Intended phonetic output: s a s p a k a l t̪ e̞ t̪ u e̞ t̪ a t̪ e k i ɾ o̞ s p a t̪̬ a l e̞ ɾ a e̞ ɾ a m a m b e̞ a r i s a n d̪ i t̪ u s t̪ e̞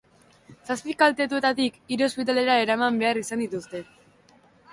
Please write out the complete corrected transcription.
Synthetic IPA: s a s p i k a l t̪ e̞ t̪ u e̞ t̪ a t̪ i k i ɾ o̞ s p i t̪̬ a l e̞ ɾ a e̞ ɾ a m a m b e̞ a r i s a n d̪ i t̪ u s t̪ e̞